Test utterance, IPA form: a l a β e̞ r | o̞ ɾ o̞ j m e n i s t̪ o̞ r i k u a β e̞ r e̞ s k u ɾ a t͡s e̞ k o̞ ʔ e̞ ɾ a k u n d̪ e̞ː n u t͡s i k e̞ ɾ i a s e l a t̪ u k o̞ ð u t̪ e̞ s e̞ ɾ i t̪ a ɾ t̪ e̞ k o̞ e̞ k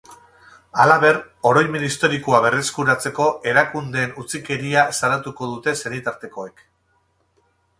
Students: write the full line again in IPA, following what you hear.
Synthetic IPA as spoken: a l a β e̞ r | o̞ ɾ o̞ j m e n i s t̪ o̞ ɾ i k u a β e̞ r e̞ s k u ɾ a t͡s e̞ k o̞ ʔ e̞ ɾ a k u n d̪ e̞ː n u t͡s i k e̞ ɾ i a s a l a t̪ u k o̞ ð u t̪ e̞ s e̞ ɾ i t̪ a ɾ t̪ e̞ k o̞ e̞ k